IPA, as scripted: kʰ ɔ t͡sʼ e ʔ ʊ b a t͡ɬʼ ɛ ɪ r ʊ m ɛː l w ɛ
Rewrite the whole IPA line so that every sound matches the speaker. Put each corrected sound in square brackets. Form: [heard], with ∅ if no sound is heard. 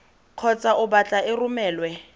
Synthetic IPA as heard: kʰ ɔ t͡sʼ [a] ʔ ʊ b a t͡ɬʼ [a] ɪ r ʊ m ɛː l w ɛ